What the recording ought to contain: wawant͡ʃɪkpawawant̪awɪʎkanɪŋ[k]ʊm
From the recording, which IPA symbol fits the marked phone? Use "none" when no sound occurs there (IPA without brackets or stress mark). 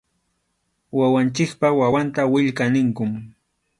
k